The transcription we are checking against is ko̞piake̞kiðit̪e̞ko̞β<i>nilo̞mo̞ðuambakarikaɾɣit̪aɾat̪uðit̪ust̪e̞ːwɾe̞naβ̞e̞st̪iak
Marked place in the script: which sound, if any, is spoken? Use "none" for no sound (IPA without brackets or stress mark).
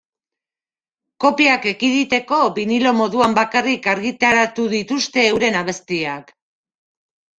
i